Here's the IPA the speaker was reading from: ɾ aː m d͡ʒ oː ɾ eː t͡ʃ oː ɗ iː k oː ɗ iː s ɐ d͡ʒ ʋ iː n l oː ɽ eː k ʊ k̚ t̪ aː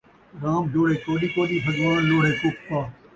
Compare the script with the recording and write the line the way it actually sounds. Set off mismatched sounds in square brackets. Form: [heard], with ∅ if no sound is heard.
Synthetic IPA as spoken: ɾ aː m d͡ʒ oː [ɽ] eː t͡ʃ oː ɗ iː k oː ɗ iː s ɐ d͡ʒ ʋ [aː] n l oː ɽ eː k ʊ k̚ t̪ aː